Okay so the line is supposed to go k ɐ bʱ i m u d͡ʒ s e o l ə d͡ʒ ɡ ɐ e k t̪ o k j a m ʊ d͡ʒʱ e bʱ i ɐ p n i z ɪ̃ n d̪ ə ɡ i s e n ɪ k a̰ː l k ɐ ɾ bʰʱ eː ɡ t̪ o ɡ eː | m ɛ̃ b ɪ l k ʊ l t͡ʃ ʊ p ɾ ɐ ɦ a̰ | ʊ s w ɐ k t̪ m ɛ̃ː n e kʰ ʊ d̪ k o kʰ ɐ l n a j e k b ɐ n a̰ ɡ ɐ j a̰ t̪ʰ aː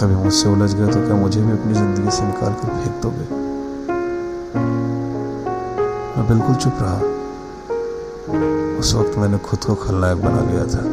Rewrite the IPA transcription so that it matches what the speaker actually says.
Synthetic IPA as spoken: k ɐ bʱ i m ʊ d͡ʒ s e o l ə d͡ʒ ɡ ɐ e t̪ o k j a m ʊ d͡ʒʱ e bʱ i ɐ p n i z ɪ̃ n d̪ ə ɡ i s e n ɪ k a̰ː l k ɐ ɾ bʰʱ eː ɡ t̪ o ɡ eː | m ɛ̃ b ɪ l k ʊ l t͡ʃ ʊ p ɾ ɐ ɦ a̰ | ʊ s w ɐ k t̪ m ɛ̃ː n e kʰ ʊ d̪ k o kʰ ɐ l n a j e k b ɐ n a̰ ɡ ɐ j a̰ t̪ʰ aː